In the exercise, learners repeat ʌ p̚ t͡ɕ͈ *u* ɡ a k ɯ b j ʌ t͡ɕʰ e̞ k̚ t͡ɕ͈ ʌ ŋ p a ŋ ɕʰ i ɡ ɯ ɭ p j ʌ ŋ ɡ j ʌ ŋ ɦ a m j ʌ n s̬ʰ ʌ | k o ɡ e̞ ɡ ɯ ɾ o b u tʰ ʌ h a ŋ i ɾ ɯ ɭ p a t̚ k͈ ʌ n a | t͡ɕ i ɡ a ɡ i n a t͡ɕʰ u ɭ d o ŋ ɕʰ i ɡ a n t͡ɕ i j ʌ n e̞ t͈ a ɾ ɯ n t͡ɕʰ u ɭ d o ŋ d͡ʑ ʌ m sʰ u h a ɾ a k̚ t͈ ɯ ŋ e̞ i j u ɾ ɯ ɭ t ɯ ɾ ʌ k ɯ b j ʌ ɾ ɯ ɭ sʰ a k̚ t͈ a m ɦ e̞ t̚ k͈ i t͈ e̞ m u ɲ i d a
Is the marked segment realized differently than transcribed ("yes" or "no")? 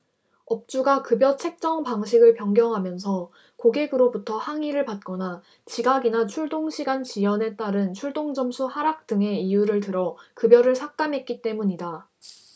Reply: no